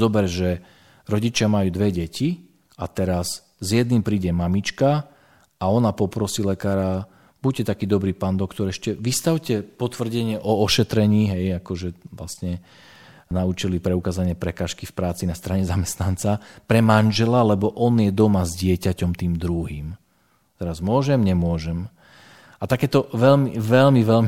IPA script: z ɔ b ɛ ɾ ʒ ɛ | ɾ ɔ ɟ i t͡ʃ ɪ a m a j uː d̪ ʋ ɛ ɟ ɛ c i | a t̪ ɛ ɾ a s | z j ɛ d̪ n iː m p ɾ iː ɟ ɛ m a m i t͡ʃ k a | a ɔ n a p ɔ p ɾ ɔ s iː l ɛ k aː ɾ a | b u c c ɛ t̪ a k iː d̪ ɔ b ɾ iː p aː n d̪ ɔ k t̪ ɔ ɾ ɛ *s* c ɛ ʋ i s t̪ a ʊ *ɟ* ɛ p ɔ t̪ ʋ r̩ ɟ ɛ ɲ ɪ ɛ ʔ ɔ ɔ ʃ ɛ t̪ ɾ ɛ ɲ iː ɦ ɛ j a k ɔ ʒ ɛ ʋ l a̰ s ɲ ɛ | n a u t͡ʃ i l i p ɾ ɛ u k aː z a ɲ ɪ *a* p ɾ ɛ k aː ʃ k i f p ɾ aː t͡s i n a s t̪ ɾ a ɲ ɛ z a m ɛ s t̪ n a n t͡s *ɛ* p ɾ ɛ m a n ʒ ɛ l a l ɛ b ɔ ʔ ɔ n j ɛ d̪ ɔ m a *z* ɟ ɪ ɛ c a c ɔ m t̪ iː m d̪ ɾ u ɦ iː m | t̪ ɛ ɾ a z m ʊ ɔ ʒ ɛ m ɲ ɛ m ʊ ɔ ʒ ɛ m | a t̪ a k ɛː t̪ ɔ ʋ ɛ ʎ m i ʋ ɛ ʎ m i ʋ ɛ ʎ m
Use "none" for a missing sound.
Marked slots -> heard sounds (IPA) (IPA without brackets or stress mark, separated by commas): ʃ, c, ɛ, a, z